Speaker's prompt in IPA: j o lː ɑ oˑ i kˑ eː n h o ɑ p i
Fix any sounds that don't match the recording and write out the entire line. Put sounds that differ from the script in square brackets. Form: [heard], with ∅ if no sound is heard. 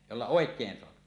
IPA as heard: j o lː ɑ oˑ [e] kˑ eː n [s] o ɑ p i

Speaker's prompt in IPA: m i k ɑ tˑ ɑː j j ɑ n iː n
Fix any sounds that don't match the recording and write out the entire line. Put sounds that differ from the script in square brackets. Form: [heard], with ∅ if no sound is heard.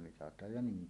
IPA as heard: m i [t] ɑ tˑ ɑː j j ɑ n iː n

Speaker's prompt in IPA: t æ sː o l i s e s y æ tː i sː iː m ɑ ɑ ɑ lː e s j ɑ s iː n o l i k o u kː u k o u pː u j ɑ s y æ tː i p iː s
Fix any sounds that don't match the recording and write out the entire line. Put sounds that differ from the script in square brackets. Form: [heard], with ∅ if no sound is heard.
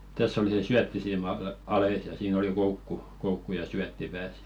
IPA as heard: t æ sː o l i s e s y æ tː i [s] iː m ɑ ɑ ɑ [l] e s j ɑ s iː n o l i k o u kː u k o u [kː] u j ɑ s y æ tː i p [æː] s

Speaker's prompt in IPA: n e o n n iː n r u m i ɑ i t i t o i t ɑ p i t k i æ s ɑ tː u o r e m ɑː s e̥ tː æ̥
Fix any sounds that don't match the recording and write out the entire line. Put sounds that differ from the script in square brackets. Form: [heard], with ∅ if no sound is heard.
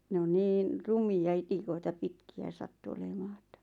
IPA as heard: n e o n n iː n r u m i ɑ i t i [k] o i t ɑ p i t k i æ s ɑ tː u o [l] e m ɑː [∅] e̥ tː æ̥

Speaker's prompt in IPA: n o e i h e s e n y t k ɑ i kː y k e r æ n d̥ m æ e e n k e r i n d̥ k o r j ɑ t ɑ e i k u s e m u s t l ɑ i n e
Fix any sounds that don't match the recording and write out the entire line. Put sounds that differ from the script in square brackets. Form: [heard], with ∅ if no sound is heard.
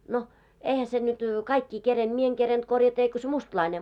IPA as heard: n o e i h [æ] s e n y t k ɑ i kː [i] k e r [e] n d̥ m [i] e e [ŋ] k e r [e] n d̥ k o r j ɑ t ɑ e i k [o] s e m u s t l ɑ i n e

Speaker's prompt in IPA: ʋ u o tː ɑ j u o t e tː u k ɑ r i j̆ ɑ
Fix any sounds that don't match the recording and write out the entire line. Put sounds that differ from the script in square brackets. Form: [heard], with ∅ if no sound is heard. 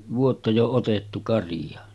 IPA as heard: ʋ u o tː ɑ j [o] o t e tː u k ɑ r i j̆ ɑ

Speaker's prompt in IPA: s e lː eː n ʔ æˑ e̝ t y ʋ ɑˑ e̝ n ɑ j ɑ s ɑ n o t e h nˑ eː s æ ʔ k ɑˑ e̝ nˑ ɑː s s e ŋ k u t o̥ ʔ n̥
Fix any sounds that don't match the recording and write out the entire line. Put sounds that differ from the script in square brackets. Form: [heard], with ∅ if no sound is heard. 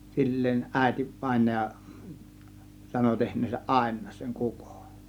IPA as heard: s [i] lː eː n ʔ æˑ e̝ t [i] ʋ ɑˑ e̝ n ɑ j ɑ s ɑ n o t e h nˑ eː s æ ʔ [ʔ] ɑˑ e̝ nˑ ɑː s s e ŋ k u [k] o̥ [∅] n̥

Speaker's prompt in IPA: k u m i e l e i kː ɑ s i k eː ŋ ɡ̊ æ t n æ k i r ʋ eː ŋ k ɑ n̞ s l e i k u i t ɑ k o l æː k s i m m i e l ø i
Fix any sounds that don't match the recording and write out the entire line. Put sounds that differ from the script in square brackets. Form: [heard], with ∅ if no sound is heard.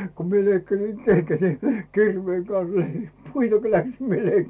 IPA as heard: k u m i e l e i kː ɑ s i k [e] ŋ ɡ̊ æ t n [i] k i r ʋ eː ŋ k ɑ n̞ s l e i [p] u i t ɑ k o l [æ] k s i m m i e l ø i

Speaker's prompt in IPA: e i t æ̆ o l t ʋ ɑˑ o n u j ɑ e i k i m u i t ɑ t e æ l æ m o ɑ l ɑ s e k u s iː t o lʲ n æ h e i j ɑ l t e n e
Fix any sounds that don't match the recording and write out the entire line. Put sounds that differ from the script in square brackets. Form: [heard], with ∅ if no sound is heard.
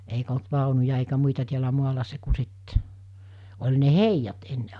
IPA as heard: e i [k] æ̆ o l t ʋ ɑˑ o n u j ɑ e i k [æ] m u i t ɑ t [i] æ l æ m [u] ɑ l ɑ s e k u s [i] t o lʲ n [e] h e i j ɑ [∅] t e [nː] e

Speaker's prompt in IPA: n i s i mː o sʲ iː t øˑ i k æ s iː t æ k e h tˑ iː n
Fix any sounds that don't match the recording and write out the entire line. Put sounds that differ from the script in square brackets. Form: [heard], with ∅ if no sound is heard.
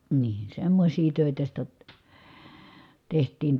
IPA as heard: n [iː] s [e] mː o sʲ iː t øˑ i [t] æ s [i] t æ [t] e h tˑ iː n

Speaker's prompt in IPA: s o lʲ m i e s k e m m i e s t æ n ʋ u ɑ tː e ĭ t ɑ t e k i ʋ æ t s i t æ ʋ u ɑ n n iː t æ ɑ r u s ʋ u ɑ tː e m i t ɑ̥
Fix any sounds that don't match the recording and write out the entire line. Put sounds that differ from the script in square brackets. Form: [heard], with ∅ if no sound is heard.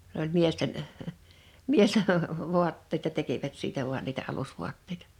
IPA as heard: s o lʲ m i e s [t] e [n] m i e s t [e] n ʋ u ɑ tː e ĭ t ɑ t e k i ʋ æ t s [iː] t æ ʋ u ɑ n n iː t æ ɑ [l] u s ʋ u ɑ tː e [∅] i t ɑ̥

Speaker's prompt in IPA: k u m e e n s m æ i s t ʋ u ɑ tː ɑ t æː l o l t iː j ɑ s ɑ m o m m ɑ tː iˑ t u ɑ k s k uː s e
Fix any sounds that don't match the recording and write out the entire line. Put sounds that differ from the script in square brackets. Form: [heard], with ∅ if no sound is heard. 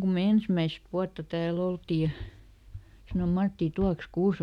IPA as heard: k u m e e n s m æ i s t ʋ u ɑ tː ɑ t æː l o l t iː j ɑ s ɑ [n] o m m ɑ tː iˑ t u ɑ k s k uː s e

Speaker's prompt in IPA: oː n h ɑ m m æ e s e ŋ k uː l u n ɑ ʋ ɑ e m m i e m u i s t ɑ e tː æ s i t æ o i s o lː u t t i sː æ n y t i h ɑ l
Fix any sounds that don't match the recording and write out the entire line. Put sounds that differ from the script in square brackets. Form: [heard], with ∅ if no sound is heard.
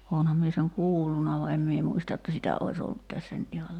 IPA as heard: oː n h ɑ m m [i] e s e ŋ k uː [lː] u n ɑ ʋ ɑ e m m i e m u i s t ɑ e tː æ s i t æ o i s o lː u t t [æ] sː æ n y t i h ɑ l

